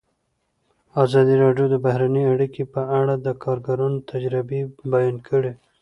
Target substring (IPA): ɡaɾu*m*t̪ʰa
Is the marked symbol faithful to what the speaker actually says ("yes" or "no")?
no